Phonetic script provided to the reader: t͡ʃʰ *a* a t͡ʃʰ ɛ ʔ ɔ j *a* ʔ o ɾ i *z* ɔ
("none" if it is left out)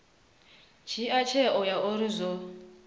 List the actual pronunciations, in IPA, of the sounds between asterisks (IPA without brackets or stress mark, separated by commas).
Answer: i, a, z